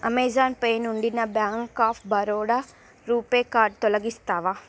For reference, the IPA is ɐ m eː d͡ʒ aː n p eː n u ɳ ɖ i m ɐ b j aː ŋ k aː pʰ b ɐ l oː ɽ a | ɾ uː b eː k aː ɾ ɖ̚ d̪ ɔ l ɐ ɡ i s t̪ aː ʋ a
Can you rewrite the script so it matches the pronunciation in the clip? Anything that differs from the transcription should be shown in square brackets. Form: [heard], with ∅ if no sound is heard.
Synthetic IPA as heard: ɐ m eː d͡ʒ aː n p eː n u ɳ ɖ i [n] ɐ b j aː ŋ k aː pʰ b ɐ [ɾ] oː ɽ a | ɾ uː [p] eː k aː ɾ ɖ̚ [t̪] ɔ l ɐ ɡ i s t̪ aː ʋ a